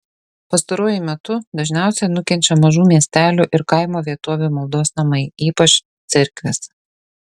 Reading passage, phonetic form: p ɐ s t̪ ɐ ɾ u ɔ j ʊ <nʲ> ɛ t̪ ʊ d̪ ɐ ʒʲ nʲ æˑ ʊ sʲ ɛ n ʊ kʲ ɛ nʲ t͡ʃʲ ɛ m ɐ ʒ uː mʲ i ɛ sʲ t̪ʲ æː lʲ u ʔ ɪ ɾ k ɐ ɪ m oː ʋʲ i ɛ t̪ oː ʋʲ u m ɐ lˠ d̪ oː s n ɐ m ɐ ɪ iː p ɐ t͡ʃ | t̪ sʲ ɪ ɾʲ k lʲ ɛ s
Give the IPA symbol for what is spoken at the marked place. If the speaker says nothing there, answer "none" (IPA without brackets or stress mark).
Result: mʲ